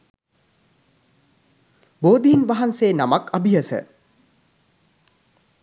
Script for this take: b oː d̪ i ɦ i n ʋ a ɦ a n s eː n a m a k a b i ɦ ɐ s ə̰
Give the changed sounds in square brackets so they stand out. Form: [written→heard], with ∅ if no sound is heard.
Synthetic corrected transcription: b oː d̪ i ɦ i n ʋ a ɦ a n s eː n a m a k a b i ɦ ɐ s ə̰